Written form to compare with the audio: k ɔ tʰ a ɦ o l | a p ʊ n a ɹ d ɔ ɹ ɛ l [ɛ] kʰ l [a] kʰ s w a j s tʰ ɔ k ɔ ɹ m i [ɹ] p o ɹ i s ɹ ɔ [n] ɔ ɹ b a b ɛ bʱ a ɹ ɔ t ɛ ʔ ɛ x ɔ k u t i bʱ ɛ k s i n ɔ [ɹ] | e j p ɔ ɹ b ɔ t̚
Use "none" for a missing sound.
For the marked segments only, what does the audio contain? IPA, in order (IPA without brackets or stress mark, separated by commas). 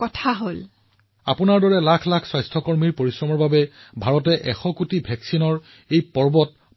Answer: a, a, ɹ, m, ɹ